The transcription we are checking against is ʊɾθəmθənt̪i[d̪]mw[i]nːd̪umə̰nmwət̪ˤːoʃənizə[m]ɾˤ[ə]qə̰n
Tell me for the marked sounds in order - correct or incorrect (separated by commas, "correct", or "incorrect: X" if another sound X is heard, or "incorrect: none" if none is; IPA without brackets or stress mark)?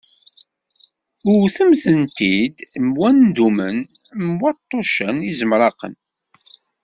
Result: correct, incorrect: æ, correct, incorrect: ɑ